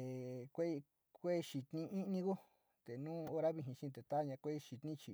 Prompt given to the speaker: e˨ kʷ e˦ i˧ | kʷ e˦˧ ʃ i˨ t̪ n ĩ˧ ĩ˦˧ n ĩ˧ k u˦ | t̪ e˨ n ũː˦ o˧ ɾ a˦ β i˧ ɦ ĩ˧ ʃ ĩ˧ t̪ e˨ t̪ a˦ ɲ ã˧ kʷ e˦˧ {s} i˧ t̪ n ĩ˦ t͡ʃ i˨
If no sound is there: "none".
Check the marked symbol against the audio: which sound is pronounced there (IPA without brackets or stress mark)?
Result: ʃ